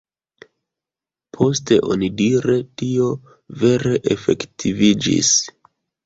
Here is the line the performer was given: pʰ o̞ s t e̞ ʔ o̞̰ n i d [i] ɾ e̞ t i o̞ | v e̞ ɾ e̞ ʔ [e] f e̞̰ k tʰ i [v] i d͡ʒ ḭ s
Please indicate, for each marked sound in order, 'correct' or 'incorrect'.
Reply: correct, correct, correct

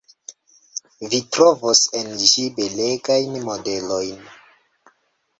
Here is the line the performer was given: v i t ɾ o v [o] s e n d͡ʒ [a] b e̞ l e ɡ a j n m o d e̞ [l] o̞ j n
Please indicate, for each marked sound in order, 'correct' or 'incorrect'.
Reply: correct, incorrect, correct

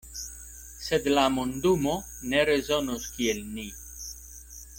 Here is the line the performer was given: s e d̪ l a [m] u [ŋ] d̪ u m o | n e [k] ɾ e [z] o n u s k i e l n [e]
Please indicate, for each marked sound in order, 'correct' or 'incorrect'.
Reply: correct, incorrect, incorrect, correct, incorrect

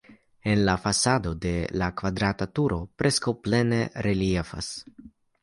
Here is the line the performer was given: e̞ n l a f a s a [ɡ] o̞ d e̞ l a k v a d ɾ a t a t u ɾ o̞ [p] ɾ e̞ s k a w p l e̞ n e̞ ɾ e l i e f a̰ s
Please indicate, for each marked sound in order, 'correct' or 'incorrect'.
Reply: incorrect, correct

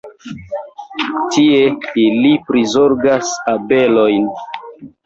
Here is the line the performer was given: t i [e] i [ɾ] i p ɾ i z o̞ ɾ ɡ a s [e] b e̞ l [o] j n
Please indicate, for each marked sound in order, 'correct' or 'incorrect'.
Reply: correct, incorrect, incorrect, correct

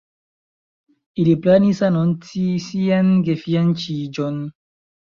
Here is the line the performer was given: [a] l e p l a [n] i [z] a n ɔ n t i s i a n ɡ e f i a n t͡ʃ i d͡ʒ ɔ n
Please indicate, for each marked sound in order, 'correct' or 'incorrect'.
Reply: incorrect, correct, incorrect

